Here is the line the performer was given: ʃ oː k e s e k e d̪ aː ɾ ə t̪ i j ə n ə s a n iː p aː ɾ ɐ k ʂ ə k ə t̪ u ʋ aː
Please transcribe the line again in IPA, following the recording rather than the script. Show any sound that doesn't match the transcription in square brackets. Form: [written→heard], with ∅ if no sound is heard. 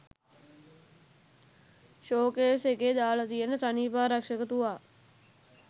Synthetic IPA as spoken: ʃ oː k e s e k e d̪ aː [ɾ→l] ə t̪ i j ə n ə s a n iː p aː ɾ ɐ k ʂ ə k ə t̪ u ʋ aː